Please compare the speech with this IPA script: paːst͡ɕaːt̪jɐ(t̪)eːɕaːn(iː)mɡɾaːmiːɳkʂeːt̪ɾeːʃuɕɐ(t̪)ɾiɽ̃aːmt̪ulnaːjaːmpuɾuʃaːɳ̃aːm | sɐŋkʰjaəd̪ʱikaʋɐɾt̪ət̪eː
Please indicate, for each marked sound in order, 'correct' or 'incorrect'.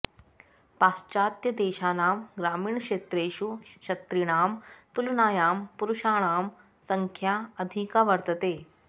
incorrect, incorrect, correct

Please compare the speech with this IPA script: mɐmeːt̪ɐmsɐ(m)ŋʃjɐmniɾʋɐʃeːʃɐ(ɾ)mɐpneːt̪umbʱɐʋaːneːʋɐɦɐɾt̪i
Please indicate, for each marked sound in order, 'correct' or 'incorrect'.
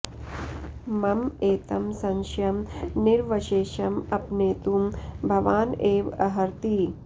incorrect, incorrect

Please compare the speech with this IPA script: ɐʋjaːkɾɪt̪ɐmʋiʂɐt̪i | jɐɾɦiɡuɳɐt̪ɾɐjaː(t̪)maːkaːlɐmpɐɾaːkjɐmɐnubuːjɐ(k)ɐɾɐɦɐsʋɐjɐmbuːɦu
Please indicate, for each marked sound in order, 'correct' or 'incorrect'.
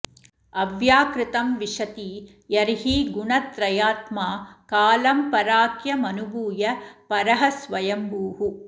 correct, incorrect

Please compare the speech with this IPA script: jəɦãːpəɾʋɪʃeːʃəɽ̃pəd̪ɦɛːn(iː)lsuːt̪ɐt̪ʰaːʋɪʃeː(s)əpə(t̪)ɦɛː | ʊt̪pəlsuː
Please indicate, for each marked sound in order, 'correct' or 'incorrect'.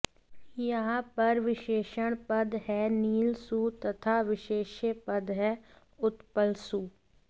correct, incorrect, incorrect

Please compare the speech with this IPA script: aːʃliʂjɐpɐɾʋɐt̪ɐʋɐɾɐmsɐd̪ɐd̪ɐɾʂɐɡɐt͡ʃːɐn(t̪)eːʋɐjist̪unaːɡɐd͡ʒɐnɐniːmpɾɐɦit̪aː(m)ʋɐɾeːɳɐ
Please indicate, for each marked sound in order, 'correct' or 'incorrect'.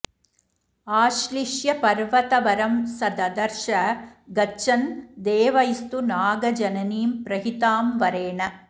incorrect, correct

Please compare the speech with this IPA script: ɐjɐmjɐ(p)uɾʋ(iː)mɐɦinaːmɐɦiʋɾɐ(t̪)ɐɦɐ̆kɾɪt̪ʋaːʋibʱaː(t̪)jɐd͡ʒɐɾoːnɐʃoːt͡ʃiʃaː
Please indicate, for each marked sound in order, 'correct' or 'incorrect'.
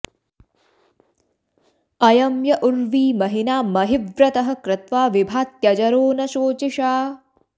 incorrect, correct, correct, correct

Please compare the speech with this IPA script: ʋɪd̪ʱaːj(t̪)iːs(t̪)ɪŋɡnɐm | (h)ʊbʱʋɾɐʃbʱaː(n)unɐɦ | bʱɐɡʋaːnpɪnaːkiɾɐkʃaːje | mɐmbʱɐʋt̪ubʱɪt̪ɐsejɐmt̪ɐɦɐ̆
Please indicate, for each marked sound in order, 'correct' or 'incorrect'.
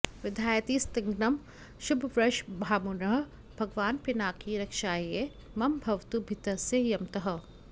correct, correct, incorrect, incorrect

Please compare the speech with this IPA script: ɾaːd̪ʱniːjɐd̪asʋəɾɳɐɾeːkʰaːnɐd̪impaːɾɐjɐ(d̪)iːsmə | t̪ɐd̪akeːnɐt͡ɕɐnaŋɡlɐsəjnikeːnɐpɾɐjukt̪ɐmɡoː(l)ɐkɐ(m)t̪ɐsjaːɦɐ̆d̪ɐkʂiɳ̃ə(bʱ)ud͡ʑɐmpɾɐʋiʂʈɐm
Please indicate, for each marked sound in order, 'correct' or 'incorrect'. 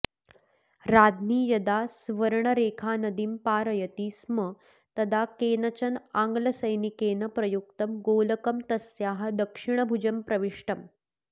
incorrect, correct, correct, correct

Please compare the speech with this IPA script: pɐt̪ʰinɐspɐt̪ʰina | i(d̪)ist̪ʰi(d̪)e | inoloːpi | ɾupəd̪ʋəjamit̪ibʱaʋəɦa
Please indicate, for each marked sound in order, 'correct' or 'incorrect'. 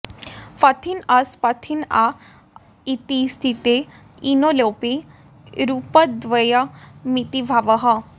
incorrect, incorrect

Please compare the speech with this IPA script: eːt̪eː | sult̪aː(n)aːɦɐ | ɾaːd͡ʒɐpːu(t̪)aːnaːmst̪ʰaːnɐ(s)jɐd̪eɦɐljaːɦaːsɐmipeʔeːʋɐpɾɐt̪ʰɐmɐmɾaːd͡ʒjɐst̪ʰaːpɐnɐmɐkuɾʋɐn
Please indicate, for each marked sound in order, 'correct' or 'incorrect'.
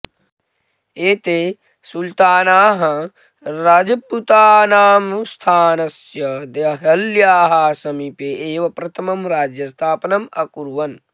correct, correct, correct

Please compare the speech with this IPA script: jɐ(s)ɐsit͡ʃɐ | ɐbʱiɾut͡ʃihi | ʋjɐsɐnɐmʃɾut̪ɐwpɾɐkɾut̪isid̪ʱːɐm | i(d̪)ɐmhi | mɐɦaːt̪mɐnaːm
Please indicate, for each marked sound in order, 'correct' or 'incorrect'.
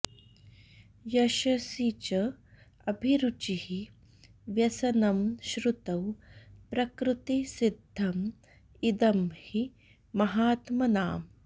incorrect, correct

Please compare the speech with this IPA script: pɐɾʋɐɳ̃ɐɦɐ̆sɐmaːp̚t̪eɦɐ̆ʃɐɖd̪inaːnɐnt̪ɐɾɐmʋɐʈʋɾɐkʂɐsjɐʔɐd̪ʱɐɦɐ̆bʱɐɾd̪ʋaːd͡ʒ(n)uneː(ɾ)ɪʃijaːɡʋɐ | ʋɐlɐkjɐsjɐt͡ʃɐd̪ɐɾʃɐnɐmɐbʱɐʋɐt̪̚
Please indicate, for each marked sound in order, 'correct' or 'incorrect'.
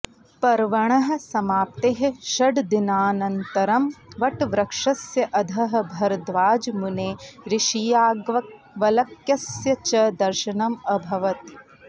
incorrect, correct

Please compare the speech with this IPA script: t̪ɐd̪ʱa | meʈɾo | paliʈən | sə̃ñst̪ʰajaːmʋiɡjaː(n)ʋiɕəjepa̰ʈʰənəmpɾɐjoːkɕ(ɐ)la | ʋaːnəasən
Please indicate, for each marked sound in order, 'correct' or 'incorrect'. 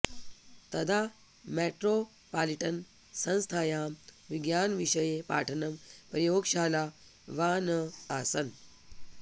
correct, incorrect

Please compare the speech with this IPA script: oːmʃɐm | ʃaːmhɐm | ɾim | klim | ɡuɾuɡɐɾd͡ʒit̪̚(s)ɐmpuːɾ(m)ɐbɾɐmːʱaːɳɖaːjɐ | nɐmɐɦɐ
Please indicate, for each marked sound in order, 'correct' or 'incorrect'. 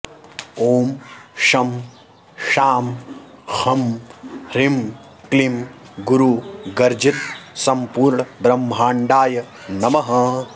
correct, incorrect

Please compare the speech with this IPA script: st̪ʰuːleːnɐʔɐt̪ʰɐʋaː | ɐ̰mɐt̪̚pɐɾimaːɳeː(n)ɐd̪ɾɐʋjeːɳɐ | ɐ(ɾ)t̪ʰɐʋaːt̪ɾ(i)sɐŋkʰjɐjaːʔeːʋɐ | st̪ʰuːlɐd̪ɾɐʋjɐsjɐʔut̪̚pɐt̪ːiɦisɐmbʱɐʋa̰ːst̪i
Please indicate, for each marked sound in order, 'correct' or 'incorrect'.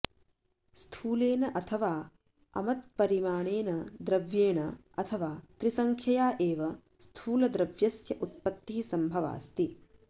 correct, incorrect, correct

